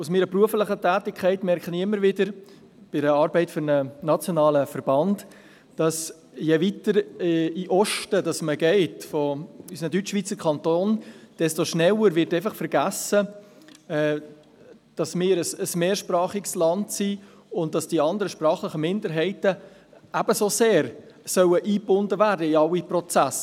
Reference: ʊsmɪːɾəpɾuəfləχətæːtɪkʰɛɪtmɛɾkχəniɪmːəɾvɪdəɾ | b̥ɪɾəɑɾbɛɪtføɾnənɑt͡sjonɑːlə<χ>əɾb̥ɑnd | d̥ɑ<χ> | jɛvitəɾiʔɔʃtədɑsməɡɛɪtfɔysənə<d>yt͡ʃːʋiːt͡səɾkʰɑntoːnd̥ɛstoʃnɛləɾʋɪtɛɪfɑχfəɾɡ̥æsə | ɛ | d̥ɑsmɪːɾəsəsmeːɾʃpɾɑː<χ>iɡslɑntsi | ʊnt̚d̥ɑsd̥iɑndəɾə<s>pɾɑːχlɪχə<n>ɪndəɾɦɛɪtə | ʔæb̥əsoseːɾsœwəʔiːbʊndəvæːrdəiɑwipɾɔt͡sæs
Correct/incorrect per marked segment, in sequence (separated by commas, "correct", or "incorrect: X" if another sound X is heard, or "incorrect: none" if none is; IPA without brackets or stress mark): incorrect: f, incorrect: s, correct, correct, incorrect: ʃ, incorrect: m